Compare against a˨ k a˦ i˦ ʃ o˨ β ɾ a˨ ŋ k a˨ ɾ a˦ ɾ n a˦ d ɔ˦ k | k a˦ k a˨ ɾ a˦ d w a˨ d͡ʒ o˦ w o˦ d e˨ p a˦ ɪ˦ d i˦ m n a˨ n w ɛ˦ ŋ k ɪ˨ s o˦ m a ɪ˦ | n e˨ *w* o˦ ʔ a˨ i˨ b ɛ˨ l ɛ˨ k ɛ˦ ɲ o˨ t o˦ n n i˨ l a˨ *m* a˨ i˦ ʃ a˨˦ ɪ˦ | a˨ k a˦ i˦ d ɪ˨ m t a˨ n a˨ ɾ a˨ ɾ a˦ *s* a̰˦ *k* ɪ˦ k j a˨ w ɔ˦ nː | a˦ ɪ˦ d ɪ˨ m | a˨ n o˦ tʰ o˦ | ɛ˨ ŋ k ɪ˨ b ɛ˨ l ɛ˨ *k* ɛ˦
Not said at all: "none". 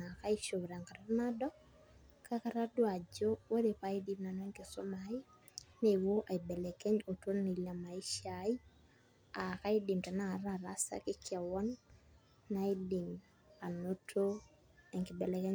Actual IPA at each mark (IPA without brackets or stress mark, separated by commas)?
w, m, s, k, k